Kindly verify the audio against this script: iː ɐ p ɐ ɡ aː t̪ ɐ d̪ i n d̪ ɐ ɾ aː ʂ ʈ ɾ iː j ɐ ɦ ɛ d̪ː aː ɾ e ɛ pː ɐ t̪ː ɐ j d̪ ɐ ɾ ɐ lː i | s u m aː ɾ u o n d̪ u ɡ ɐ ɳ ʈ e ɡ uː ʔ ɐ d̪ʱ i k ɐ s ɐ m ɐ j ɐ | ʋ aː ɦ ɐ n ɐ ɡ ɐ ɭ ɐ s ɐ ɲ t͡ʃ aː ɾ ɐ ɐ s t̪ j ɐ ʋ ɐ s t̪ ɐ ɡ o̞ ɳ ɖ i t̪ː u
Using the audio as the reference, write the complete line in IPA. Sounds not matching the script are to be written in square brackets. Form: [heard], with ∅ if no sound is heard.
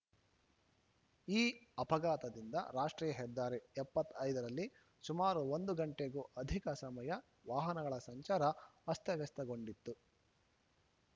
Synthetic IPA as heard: iː ɐ p ɐ ɡ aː t̪ ɐ d̪ i n d̪ ɐ ɾ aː ʂ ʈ ɾ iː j ɐ ɦ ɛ d̪ː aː ɾ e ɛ pː ɐ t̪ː ɐ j d̪ ɐ ɾ ɐ lː i | s u m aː ɾ u o n d̪ u ɡ ɐ ɳ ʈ e ɡ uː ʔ ɐ d̪ʱ i k ɐ s ɐ m ɐ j ɐ | ʋ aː ɦ ɐ n ɐ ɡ ɐ ɭ ɐ s ɐ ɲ t͡ʃ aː ɾ ɐ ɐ s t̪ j ɐ ʋ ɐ s t̪ ɐ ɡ o̞ ɳ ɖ i t̪ː u